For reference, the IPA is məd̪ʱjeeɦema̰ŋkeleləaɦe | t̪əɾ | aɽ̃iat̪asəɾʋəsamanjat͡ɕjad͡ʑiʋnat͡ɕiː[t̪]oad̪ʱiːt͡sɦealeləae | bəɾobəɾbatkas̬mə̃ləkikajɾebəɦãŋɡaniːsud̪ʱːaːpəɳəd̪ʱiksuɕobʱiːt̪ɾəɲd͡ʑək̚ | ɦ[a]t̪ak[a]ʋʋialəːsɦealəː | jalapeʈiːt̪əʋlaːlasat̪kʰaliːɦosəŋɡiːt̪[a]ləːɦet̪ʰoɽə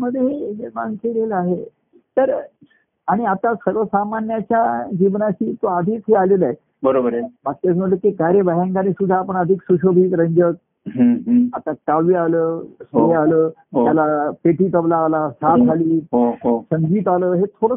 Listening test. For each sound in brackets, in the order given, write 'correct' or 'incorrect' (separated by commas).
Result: correct, correct, correct, correct